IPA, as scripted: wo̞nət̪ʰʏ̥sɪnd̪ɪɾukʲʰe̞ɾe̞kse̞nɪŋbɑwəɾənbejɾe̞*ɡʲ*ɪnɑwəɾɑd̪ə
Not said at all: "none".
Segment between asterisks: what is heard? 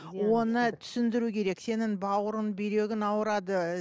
ɡʲ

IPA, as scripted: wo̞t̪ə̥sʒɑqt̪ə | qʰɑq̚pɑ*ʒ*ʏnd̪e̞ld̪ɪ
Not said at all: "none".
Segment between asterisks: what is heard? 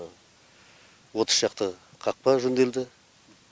ʒ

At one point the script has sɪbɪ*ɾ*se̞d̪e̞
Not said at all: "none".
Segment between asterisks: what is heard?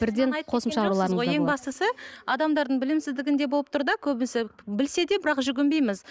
l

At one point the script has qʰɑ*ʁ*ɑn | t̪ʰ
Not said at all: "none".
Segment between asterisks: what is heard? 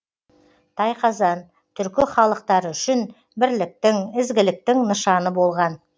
z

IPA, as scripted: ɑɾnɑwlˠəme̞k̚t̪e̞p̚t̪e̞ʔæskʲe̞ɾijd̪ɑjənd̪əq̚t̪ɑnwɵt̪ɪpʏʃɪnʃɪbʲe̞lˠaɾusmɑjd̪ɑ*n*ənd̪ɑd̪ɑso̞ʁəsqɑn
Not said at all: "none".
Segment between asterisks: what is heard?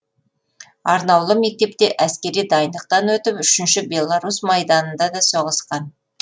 n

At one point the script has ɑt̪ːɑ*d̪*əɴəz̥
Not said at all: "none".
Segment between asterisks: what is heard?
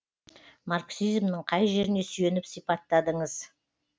d̪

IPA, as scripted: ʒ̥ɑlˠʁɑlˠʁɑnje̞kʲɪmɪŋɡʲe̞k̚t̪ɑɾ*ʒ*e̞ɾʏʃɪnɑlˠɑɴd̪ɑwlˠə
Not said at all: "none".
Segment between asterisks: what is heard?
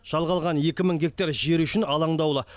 ʒ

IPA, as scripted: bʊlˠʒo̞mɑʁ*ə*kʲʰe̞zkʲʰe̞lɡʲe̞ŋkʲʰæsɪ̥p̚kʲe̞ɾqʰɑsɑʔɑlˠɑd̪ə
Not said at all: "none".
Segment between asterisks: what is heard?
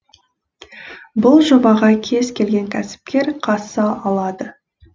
ɑ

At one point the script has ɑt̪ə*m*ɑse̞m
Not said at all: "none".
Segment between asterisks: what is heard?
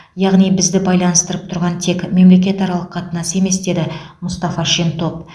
n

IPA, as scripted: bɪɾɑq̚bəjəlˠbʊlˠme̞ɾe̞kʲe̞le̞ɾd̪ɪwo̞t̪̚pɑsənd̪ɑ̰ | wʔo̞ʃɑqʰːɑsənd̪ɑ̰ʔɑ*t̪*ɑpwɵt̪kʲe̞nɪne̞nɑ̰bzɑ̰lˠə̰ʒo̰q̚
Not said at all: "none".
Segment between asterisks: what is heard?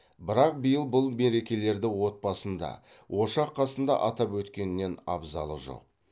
t̪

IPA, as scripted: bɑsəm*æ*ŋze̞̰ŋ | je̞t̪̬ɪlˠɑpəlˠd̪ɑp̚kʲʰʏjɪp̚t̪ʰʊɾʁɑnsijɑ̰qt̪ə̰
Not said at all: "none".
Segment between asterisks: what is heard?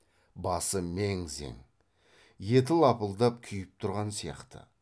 e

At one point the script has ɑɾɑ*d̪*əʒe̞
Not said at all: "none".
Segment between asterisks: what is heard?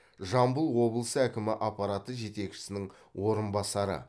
t̪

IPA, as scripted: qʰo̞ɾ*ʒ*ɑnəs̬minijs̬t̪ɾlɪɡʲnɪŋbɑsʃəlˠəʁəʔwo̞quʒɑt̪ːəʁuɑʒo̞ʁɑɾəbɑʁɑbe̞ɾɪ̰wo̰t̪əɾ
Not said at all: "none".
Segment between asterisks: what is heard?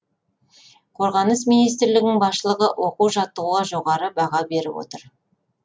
ʁ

